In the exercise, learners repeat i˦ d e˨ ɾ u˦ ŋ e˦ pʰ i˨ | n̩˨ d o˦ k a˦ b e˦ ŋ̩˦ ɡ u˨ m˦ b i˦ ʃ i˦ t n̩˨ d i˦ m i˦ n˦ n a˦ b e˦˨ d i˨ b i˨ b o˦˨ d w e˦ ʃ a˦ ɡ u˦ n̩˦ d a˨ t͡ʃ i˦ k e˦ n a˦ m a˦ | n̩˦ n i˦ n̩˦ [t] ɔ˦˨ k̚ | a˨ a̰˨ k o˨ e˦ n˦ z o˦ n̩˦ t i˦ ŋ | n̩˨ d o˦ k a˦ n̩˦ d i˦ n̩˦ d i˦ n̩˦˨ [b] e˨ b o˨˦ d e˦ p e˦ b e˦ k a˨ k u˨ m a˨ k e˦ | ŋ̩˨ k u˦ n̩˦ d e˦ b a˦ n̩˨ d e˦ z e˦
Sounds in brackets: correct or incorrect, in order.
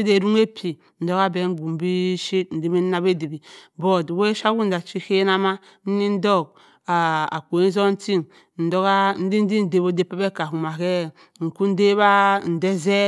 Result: incorrect: d, incorrect: d

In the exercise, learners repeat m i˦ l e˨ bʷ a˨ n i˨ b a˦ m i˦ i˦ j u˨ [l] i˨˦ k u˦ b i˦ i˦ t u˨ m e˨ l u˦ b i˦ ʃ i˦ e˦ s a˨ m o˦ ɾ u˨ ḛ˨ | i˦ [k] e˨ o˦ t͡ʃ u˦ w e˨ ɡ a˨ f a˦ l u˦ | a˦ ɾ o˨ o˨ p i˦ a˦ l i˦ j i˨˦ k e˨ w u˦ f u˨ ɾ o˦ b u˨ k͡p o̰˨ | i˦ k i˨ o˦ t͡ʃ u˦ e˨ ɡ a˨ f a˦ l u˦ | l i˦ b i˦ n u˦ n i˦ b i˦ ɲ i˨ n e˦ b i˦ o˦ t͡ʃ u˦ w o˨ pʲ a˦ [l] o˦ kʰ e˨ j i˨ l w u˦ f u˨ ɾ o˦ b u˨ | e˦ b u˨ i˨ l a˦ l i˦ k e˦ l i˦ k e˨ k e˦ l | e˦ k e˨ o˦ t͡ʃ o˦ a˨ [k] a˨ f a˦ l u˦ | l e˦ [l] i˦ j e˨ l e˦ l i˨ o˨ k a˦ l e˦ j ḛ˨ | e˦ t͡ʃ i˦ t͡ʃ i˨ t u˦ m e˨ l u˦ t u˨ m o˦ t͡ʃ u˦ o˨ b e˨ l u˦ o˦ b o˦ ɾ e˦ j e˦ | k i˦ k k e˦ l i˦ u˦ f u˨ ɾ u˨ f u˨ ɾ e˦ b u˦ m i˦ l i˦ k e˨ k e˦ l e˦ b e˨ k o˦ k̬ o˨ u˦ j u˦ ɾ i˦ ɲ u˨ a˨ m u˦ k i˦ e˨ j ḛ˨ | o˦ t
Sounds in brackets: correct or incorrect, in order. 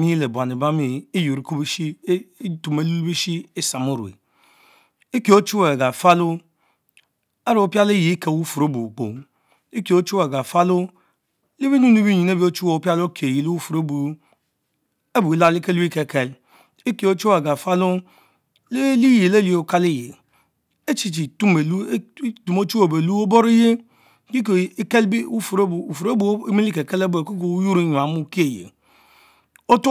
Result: incorrect: ɾ, correct, correct, incorrect: ɡ, correct

